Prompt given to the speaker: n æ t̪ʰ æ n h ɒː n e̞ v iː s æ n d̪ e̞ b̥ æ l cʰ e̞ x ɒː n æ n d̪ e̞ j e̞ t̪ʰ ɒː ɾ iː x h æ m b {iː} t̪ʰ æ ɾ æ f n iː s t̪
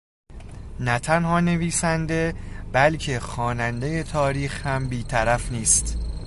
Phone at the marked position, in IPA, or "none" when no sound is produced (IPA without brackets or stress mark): iː